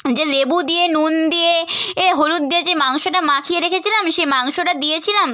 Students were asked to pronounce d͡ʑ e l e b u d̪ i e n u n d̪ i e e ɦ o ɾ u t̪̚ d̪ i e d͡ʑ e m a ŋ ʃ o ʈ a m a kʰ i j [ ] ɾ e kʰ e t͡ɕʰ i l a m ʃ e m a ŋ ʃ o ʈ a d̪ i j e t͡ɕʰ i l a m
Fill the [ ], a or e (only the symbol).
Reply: e